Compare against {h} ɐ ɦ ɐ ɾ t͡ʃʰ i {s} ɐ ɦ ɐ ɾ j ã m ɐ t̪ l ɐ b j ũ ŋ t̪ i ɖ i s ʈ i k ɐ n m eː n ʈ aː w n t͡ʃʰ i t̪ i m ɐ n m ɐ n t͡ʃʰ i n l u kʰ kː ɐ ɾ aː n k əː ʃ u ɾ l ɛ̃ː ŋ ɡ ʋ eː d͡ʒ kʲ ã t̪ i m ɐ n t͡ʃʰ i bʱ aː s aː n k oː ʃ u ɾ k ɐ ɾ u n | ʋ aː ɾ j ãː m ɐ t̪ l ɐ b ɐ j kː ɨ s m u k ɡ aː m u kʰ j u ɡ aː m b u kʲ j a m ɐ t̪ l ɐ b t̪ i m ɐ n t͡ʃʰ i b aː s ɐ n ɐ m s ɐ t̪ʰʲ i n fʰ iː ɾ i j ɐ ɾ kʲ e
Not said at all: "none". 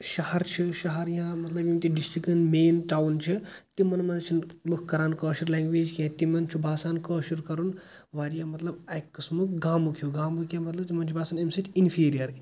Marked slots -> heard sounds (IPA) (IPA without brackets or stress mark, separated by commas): ʃ, ʃ